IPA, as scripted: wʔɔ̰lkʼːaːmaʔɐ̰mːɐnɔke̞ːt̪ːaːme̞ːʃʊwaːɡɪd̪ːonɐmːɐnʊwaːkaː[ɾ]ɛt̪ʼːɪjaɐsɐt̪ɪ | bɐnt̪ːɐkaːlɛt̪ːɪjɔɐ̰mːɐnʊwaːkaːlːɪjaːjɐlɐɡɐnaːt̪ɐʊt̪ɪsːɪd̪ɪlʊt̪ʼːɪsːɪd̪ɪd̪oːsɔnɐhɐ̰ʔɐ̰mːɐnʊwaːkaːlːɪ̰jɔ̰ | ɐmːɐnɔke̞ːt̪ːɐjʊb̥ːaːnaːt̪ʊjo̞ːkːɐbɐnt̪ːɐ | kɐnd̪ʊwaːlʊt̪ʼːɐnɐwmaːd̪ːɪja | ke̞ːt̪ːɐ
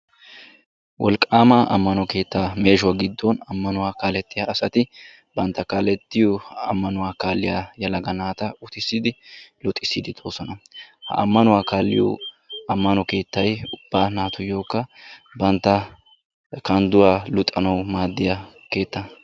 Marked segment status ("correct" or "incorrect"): incorrect